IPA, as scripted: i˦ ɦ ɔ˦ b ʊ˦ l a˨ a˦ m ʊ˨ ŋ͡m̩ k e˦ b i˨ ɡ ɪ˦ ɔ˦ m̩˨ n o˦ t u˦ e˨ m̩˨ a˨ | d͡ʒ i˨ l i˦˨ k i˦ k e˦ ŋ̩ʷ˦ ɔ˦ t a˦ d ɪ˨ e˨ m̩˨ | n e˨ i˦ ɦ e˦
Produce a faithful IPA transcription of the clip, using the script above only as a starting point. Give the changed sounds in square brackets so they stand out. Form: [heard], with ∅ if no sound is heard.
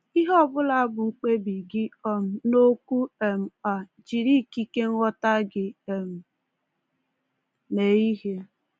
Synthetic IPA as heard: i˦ ɦ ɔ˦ b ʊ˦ l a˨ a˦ [b] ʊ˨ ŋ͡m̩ [k͡p] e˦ b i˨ ɡ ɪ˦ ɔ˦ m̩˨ n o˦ [k] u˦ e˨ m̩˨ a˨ | d͡ʒ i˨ [ɾ] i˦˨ k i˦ k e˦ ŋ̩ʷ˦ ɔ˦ t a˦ [ɡ] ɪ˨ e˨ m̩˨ | n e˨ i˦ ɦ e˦